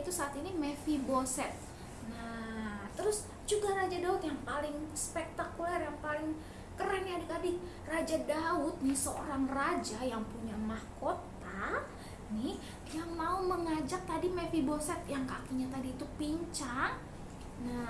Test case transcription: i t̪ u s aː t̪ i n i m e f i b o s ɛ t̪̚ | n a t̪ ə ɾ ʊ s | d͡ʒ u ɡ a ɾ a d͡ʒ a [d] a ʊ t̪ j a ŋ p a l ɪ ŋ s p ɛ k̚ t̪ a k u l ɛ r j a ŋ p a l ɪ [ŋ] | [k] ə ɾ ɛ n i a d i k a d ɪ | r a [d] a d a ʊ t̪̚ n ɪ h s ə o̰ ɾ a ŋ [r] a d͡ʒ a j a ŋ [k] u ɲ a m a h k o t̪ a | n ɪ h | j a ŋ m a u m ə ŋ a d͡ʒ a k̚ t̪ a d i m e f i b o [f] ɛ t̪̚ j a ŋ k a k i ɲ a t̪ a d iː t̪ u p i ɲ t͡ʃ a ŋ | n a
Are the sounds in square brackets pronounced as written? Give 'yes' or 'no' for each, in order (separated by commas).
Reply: yes, yes, yes, no, yes, no, no